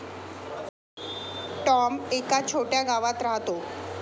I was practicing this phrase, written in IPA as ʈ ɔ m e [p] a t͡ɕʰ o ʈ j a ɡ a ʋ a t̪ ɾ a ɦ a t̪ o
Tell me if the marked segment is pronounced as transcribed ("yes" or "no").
no